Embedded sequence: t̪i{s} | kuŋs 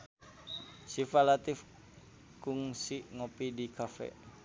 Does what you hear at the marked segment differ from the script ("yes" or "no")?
yes